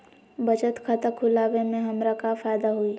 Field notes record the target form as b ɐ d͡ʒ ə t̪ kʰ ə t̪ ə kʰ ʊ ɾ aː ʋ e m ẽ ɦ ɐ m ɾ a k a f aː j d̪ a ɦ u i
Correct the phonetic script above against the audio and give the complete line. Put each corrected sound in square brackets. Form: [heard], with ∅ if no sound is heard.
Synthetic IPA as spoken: b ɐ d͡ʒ ə t̪ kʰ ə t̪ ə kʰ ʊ [l] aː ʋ e m ẽ ɦ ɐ m ɾ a k a f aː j d̪ a ɦ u i